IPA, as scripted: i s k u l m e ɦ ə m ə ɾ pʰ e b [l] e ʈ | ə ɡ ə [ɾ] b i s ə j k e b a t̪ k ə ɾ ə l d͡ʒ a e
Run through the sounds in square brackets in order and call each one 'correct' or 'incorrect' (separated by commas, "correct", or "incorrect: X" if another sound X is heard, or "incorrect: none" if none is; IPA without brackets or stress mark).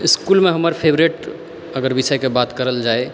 incorrect: ɾ, correct